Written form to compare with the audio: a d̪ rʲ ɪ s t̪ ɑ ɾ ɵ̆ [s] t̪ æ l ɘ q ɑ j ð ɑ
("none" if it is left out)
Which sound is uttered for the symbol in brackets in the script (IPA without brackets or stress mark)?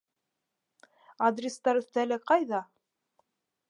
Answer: θ